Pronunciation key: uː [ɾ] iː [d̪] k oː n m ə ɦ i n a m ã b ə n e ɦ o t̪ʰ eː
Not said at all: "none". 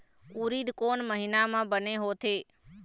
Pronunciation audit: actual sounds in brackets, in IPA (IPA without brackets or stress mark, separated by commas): ɾ, d̪